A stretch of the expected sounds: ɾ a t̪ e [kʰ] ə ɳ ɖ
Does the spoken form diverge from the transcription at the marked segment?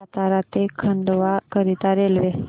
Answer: no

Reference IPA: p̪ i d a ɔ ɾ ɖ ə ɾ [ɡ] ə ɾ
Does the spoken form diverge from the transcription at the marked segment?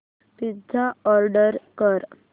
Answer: yes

